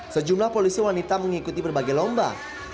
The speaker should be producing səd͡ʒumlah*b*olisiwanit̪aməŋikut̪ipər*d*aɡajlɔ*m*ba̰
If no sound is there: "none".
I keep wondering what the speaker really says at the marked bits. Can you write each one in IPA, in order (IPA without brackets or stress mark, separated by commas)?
p, b, m